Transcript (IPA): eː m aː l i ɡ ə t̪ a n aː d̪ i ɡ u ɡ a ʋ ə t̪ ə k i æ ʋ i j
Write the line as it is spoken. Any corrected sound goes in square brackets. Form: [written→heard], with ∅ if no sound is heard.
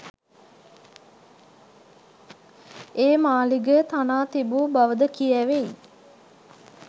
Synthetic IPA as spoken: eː m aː l i ɡ ə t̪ a n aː [d̪→t̪] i [ɡ→b] u [ɡ→b] a ʋ ə [t̪→d̪] ə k i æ ʋ [i→e] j